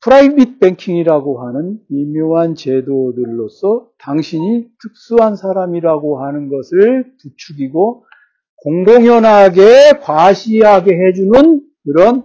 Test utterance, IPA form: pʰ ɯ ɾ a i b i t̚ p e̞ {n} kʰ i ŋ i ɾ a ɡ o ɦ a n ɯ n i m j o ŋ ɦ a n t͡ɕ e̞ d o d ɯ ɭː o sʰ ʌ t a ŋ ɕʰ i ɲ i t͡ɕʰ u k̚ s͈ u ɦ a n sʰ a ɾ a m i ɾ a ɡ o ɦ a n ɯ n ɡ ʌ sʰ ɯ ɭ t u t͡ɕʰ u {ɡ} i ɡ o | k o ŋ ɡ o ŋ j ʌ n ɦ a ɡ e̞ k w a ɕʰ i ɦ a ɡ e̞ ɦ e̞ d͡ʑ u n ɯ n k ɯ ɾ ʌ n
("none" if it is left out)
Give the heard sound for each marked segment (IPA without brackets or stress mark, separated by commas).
ŋ, ɡ